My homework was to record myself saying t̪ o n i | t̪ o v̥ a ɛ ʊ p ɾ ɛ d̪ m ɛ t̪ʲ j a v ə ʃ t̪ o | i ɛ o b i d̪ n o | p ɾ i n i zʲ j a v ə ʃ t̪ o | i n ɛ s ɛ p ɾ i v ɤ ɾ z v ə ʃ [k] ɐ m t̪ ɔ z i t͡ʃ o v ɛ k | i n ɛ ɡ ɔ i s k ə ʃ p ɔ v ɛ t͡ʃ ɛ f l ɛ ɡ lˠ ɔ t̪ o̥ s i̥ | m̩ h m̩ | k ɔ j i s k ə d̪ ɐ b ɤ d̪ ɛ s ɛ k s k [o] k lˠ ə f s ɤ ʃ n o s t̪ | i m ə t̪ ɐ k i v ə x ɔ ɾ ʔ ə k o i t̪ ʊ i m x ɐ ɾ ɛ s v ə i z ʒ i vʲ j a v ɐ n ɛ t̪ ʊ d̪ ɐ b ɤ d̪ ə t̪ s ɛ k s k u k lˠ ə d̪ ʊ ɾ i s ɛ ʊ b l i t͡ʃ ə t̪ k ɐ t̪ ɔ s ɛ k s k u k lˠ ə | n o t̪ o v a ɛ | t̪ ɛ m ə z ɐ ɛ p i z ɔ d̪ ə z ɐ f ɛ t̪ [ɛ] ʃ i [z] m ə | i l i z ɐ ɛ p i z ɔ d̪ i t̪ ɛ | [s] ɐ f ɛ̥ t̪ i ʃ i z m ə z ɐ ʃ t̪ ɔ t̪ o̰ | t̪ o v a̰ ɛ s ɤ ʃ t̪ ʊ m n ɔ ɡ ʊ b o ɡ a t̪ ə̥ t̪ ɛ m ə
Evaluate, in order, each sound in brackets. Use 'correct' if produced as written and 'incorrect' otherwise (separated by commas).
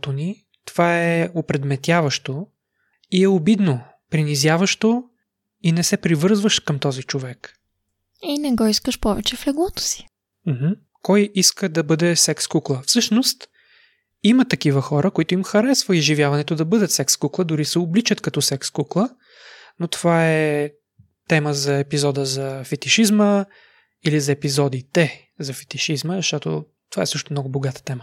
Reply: correct, incorrect, incorrect, correct, incorrect